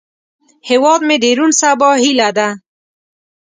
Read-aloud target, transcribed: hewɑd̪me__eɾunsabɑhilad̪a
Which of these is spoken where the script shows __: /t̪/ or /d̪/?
d̪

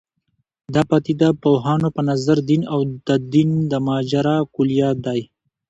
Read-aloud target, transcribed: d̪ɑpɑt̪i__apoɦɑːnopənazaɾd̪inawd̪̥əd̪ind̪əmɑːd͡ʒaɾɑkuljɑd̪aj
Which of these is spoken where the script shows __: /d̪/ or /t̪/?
d̪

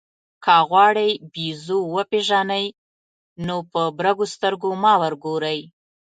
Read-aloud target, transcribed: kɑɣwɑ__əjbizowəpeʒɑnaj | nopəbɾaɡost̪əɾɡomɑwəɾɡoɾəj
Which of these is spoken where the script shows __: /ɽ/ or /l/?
ɽ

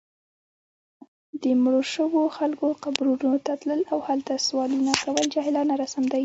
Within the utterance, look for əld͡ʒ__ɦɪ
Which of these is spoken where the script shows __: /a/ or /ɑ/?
ɑ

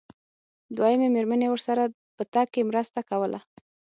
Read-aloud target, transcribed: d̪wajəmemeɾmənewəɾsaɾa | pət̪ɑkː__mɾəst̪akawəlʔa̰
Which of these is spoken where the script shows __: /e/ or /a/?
e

